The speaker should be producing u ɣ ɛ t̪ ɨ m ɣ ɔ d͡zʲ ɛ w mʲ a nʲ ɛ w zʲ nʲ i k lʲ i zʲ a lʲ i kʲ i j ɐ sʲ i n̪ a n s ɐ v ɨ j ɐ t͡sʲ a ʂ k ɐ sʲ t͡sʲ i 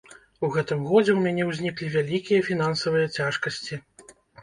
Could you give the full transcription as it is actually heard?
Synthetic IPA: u ɣ ɛ t̪ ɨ m ɣ ɔ d͡zʲ ɛ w mʲ a nʲ ɛ w zʲ nʲ i k lʲ i vʲ a lʲ i kʲ i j ɐ fʲ i n̪ a n s ɐ v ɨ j ɐ t͡sʲ a ʂ k ɐ sʲ t͡sʲ i